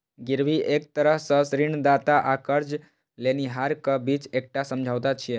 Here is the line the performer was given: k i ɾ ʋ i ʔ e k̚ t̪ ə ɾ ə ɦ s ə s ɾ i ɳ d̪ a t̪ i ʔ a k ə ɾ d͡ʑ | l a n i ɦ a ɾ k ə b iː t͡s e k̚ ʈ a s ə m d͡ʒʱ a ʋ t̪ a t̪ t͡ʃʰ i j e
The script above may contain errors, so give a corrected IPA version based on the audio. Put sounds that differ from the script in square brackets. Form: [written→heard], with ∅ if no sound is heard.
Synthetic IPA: [k→ɡ] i ɾ ʋ i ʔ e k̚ t̪ ə ɾ ə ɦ s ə s ɾ i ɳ d̪ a t̪ [i→a] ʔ a k ə ɾ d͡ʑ | l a n i ɦ a ɾ k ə b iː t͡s e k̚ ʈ a s ə m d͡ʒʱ a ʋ t̪ a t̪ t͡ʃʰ i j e